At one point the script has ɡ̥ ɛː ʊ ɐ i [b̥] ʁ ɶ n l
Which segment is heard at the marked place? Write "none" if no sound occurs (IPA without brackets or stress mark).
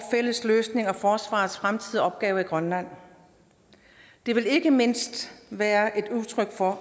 ɡ̥